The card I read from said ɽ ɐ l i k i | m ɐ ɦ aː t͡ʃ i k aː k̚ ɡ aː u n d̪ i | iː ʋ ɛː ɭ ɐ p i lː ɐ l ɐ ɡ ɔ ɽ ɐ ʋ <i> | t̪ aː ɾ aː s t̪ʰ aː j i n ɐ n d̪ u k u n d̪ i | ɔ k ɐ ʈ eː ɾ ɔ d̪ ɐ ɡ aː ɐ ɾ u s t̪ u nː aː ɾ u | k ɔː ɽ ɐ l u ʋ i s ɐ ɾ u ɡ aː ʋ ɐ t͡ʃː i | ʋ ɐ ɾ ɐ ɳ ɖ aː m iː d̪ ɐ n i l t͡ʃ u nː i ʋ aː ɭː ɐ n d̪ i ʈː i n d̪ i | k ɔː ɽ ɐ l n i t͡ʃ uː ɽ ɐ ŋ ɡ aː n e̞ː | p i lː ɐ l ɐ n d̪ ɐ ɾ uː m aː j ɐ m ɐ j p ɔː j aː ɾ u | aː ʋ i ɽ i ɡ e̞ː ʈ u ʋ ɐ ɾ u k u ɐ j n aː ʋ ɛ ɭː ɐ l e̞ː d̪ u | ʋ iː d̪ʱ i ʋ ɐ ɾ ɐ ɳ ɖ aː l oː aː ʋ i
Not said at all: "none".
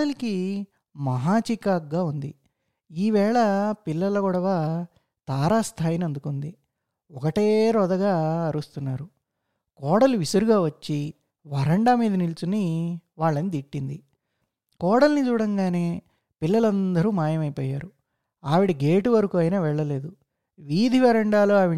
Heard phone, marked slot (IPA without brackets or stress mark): a